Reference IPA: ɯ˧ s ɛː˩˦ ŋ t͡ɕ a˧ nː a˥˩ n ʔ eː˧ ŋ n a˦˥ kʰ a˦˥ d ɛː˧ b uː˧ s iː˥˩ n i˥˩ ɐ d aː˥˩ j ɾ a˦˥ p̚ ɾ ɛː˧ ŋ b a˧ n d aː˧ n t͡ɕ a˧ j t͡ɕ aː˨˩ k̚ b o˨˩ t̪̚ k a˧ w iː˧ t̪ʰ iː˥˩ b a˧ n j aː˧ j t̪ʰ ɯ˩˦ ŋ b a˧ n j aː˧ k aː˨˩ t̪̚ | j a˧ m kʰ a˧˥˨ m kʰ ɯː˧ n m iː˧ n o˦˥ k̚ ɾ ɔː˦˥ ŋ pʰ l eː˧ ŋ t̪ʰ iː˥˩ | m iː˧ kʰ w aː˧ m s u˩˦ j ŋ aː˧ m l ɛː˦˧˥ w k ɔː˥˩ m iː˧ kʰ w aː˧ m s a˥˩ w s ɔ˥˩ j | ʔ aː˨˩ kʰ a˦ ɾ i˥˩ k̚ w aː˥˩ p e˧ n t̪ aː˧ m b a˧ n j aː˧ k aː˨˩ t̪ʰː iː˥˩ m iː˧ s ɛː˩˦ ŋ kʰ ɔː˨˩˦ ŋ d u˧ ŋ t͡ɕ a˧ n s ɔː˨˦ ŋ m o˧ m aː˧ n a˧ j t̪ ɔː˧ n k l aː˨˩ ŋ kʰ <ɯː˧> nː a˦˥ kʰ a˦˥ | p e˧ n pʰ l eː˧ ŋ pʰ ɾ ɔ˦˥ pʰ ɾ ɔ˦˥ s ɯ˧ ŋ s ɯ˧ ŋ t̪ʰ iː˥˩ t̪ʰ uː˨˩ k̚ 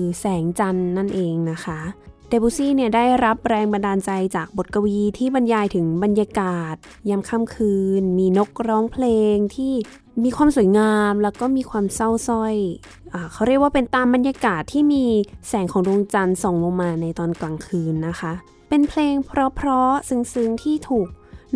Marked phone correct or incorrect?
correct